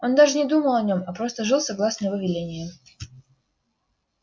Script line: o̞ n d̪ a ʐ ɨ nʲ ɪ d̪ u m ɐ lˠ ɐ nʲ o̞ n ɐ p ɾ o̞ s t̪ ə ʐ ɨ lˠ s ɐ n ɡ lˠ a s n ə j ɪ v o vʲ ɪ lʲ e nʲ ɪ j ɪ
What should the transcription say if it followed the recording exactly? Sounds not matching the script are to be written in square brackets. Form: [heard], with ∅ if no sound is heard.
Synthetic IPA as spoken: o̞ n d̪ a ʐ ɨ nʲ ɪ d̪ u m [ə] lˠ ɐ nʲ o̞ [m] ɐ p ɾ o̞ s t̪ ə ʐ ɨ lˠ s ɐ [∅] ɡ lˠ a s n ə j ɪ v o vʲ ɪ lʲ e nʲ ɪ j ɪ

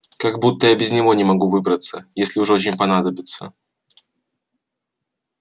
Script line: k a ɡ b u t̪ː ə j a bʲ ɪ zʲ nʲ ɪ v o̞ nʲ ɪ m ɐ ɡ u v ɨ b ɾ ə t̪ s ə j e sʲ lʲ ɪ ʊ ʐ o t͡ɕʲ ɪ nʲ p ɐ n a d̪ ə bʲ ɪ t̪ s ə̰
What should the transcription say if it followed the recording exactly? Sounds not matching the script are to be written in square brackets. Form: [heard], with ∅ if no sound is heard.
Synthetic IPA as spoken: k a ɡ b u t̪ː ə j a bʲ ɪ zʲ nʲ ɪ v o̞ nʲ ɪ m ɐ ɡ u v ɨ b ɾ ə t̪ s ə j e sʲ lʲ ɪ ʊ ʐ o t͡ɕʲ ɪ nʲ p ɐ n a d̪ ə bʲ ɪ t̪ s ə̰

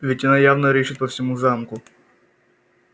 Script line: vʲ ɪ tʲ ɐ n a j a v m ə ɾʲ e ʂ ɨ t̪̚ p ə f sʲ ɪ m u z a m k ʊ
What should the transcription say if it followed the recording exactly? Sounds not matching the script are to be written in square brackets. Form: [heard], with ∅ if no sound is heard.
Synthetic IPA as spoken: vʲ ɪ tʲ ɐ n a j a v [n] ə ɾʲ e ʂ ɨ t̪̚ p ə f sʲ ɪ m u z a m k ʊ

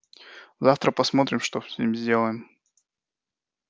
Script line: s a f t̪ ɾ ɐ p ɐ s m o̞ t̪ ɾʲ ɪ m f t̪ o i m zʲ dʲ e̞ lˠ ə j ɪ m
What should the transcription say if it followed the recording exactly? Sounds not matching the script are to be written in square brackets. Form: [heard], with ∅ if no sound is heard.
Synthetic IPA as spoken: [z] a f t̪ ɾ [ə] p ɐ s m o̞ t̪ ɾʲ ɪ m [ʂ] t̪ o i m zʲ dʲ e̞ lˠ ə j ɪ m

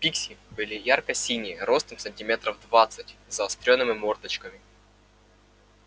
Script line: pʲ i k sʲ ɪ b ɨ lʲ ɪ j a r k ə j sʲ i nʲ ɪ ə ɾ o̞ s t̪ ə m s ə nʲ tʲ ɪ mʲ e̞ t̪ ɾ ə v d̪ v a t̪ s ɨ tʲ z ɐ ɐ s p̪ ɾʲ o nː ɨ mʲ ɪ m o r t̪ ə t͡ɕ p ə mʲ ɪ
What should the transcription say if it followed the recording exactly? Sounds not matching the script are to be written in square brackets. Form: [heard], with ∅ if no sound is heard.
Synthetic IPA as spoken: pʲ i k sʲ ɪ b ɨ lʲ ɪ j a r k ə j sʲ i nʲ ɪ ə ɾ o̞ s t̪ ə m s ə nʲ tʲ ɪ mʲ e̞ t̪ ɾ ə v d̪ v a t̪ s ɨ tʲ z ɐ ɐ s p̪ ɾʲ o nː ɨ mʲ ɪ m o r t̪ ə t͡ɕ [k] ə mʲ ɪ

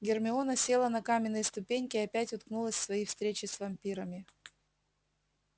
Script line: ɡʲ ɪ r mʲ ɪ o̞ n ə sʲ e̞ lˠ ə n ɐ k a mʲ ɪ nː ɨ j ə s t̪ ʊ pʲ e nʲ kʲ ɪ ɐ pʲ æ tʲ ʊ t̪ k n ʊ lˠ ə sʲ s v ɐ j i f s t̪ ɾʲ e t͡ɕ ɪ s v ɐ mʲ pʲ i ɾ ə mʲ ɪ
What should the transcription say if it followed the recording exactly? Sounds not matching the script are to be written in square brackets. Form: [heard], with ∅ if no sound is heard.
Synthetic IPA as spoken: ɡʲ ɪ r mʲ ɪ o̞ n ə sʲ e̞ lˠ ə n ɐ k a mʲ ɪ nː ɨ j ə s t̪ ʊ pʲ e nʲ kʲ ɪ ɐ pʲ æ tʲ ʊ t̪ k n [u] lˠ ə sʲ s v ɐ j i f s t̪ ɾʲ e t͡ɕ ɪ s v ɐ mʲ pʲ i ɾ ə mʲ ɪ

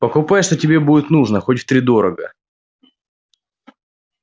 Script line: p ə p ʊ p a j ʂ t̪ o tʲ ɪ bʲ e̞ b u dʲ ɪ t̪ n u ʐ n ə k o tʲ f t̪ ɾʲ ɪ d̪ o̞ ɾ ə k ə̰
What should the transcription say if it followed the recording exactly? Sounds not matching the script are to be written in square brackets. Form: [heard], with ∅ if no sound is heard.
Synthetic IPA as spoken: p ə [k] ʊ p a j ʂ t̪ o tʲ ɪ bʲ e̞ b u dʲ ɪ t̪ n u ʐ n ə [x] o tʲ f t̪ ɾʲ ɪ d̪ o̞ ɾ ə [ɡ] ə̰

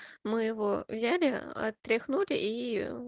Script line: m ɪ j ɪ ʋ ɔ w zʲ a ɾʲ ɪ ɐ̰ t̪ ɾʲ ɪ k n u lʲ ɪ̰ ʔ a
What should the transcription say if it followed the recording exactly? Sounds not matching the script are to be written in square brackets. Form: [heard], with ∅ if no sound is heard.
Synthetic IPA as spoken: m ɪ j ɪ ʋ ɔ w zʲ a [lʲ] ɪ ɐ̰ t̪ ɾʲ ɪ [x] n u lʲ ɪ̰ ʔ [i]

